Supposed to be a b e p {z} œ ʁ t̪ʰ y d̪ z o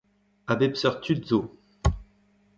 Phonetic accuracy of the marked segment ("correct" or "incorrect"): incorrect